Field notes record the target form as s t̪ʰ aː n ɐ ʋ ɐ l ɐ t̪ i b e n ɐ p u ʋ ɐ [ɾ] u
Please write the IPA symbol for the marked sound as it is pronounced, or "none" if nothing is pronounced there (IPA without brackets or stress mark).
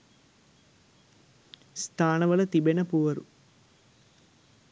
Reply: ɾ